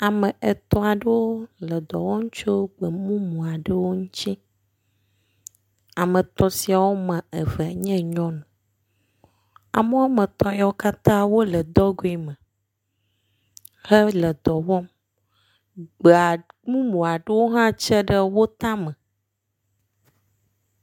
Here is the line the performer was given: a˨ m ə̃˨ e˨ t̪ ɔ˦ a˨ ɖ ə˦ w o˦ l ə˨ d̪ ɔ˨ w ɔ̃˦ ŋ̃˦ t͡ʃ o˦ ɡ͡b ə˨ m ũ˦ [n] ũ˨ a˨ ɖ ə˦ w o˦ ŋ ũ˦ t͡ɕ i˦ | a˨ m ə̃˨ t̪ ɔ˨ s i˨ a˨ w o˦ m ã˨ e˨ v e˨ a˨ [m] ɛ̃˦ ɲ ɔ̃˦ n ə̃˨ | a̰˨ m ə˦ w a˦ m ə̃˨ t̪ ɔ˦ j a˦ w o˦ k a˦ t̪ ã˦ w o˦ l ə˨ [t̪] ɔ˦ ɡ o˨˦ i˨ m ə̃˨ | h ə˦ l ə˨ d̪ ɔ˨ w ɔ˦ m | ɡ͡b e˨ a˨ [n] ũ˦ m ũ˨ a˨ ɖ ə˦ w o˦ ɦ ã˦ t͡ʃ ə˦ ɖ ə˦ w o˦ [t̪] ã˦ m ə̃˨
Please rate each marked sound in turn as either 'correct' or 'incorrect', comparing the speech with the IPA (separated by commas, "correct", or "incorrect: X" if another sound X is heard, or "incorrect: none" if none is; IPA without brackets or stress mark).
incorrect: m, incorrect: ɲ, incorrect: d̪, incorrect: m, correct